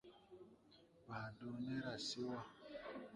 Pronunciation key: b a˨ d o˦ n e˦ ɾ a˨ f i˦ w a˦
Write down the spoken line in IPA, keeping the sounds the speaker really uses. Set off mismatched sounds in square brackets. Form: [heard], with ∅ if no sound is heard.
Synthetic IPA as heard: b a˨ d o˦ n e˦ ɾ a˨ [s] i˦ w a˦